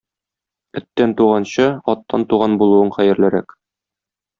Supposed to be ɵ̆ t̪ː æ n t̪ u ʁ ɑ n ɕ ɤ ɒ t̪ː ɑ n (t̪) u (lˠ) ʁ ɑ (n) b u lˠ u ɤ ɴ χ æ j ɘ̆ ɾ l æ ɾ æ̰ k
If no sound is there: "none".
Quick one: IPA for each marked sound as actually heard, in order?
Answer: t̪, none, n

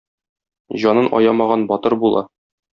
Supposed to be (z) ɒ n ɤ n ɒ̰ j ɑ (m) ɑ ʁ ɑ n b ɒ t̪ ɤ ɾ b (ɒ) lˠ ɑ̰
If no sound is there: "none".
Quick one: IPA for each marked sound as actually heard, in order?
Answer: ʑ, m, u

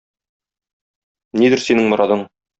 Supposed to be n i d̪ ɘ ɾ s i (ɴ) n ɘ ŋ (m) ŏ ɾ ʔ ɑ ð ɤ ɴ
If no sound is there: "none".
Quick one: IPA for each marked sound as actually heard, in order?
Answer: none, m

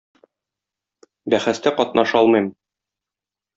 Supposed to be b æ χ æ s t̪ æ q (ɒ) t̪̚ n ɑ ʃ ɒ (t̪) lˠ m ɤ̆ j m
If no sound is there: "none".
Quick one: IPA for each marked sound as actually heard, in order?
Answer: ɒ, none

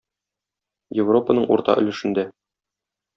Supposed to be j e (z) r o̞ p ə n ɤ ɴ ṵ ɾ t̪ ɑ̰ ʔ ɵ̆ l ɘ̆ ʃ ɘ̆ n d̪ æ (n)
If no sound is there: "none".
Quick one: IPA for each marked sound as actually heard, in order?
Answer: v, none

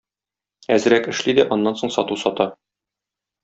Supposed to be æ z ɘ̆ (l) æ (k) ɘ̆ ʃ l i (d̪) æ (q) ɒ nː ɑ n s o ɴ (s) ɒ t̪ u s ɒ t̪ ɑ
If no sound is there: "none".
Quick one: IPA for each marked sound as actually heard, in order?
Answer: ɾ, k, d̪, ʔ, s

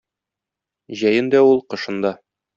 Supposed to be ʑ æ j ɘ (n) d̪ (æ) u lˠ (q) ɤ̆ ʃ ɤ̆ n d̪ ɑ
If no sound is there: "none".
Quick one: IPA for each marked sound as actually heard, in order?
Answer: n, æ, q

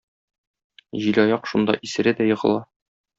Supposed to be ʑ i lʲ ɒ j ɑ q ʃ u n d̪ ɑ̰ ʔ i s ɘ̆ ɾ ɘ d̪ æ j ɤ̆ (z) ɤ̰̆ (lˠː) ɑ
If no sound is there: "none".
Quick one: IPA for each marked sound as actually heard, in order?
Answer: ʁ, lˠ

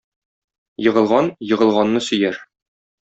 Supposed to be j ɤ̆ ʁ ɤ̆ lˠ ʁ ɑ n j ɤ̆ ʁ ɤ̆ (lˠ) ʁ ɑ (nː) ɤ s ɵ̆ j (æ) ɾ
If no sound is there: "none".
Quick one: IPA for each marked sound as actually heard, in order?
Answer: lˠ, nː, æ

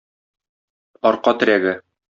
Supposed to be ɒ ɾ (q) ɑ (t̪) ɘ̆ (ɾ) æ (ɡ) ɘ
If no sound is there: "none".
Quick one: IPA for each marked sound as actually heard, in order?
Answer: q, t̪, ɾ, ɡ

